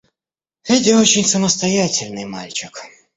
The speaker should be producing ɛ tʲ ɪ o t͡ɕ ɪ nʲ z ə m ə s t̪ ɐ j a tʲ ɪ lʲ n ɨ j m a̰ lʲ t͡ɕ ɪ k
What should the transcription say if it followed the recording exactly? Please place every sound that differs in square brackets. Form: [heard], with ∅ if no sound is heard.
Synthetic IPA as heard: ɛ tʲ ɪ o t͡ɕ ɪ nʲ [s] ə m ə s t̪ ɐ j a tʲ ɪ lʲ n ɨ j m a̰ lʲ t͡ɕ ɪ k